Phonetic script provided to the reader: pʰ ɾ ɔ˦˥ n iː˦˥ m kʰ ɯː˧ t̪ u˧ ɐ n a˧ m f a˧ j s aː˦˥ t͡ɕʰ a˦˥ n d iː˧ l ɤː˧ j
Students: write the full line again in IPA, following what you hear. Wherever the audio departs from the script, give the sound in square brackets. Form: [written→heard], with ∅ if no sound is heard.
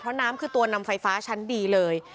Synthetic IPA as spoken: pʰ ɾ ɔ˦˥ n [iː˦˥→aː˦˥] m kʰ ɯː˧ t̪ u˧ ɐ n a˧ m f a˧ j [s→f] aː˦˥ t͡ɕʰ a˦˥ n d iː˧ l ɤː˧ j